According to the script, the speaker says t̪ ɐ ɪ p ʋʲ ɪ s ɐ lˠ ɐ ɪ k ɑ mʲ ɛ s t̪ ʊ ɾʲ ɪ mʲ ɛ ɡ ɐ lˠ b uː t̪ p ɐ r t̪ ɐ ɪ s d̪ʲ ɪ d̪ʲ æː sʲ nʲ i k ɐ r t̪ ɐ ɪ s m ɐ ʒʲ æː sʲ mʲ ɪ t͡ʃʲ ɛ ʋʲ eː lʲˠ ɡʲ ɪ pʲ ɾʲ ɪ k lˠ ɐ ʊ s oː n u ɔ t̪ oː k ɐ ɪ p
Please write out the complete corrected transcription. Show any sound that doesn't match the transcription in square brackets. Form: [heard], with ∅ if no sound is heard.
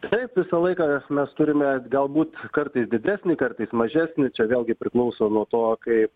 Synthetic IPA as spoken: t̪ ɐ ɪ p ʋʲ ɪ s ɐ lˠ ɐ ɪ k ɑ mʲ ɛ s t̪ ʊ ɾʲ ɪ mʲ ɛ ɡ ɐ lˠ b uː t̪ [k] ɐ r t̪ ɐ ɪ s d̪ʲ ɪ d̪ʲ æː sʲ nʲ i k ɐ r t̪ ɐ ɪ s m ɐ ʒʲ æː sʲ [nʲ] ɪ t͡ʃʲ ɛ ʋʲ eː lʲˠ ɡʲ ɪ pʲ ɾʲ ɪ k lˠ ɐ ʊ s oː n u ɔ t̪ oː k ɐ ɪ p

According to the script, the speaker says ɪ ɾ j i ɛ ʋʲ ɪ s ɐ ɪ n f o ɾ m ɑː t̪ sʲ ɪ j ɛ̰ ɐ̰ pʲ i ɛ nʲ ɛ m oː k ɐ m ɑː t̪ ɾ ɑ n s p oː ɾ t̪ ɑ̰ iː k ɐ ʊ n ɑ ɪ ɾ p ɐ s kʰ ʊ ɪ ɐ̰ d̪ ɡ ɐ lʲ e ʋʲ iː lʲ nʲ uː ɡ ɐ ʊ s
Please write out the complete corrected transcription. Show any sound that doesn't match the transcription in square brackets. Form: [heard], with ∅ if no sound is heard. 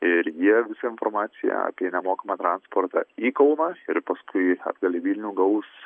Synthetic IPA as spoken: ɪ ɾ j i ɛ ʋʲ ɪ s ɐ ɪ n f o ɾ m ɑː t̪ sʲ ɪ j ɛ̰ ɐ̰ pʲ i ɛ nʲ ɛ m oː k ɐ m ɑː t̪ ɾ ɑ n s p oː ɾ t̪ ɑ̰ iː k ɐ ʊ n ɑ ɪ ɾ p ɐ s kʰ ʊ ɪ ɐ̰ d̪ ɡ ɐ lʲ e ʋʲ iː lʲ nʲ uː ɡ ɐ ʊ s

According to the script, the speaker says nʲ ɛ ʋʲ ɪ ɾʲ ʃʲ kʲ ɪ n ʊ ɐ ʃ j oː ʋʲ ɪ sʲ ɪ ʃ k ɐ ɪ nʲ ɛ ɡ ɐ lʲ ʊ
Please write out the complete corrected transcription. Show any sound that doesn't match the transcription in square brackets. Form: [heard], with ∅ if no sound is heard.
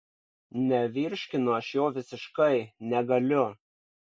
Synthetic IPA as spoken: nʲ ɛ ʋʲ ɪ ɾʲ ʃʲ kʲ ɪ n ʊ ɐ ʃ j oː ʋʲ ɪ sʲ ɪ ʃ k ɐ ɪ nʲ ɛ ɡ ɐ lʲ ʊ

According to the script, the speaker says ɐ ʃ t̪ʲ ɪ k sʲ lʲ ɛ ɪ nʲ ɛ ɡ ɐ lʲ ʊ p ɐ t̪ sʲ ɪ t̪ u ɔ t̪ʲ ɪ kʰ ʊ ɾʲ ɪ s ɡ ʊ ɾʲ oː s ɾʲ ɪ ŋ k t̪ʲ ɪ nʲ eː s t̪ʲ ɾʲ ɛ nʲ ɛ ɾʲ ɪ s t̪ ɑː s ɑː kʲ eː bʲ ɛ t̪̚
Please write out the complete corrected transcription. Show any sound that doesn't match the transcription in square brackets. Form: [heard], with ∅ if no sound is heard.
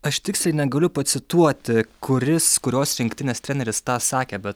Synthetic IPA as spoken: ɐ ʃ t̪ʲ ɪ k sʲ lʲ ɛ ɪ nʲ ɛ ɡ ɐ lʲ ʊ p ɐ t̪ sʲ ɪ t̪ u ɔ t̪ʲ ɪ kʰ ʊ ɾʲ ɪ s [k] ʊ ɾʲ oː s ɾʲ ɪ ŋ k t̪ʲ ɪ nʲ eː s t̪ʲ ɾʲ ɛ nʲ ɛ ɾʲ ɪ s t̪ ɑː s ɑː kʲ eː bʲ ɛ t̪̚

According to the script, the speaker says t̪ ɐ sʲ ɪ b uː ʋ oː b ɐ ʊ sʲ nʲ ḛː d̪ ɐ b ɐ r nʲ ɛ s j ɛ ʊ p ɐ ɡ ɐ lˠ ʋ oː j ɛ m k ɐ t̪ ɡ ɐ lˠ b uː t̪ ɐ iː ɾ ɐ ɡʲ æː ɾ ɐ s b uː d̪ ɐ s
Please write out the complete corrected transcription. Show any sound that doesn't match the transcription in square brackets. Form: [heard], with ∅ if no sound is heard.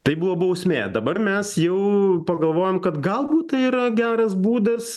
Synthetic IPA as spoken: t̪ ɐ [∅] ɪ b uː ʋ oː b ɐ ʊ sʲ [mʲ] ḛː d̪ ɐ b ɐ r [mʲ] ɛ s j ɛ ʊ p ɐ ɡ ɐ lˠ ʋ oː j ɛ m k ɐ t̪ ɡ ɐ lˠ b uː t̪ ɐ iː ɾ ɐ ɡʲ æː ɾ ɐ s b uː d̪ ɐ s

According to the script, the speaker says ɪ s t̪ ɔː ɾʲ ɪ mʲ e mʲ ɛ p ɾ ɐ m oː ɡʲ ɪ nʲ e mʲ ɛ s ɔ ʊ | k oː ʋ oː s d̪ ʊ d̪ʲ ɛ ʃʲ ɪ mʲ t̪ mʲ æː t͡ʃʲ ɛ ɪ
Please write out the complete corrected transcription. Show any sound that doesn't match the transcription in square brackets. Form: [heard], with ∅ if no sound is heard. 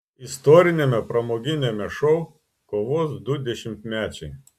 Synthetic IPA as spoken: ɪ s t̪ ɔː ɾʲ ɪ [nʲ] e mʲ ɛ p ɾ ɐ m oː ɡʲ ɪ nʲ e mʲ ɛ [ʃ] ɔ ʊ | k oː ʋ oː s d̪ ʊ d̪ʲ ɛ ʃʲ ɪ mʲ t̪ mʲ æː t͡ʃʲ ɛ ɪ

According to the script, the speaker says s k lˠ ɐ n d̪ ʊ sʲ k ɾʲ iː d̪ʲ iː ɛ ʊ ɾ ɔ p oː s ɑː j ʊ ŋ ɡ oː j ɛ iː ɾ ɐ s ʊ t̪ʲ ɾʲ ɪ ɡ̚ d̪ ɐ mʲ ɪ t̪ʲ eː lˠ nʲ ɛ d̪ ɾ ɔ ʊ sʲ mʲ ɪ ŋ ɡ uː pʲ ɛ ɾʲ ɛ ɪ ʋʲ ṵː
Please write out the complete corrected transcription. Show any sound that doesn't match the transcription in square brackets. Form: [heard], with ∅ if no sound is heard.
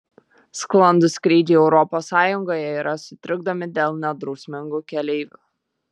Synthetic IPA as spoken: s k lˠ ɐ n d̪ ʊ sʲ k ɾʲ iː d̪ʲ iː ɛ ʊ ɾ ɔ p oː s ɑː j ʊ ŋ ɡ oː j ɛ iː ɾ ɐ s ʊ t̪ʲ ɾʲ ɪ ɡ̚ d̪ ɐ mʲ ɪ [d̪ʲ] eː lˠ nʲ ɛ d̪ ɾ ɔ ʊ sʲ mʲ ɪ ŋ ɡ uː [kʲ] ɛ [lʲ] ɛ ɪ ʋʲ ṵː

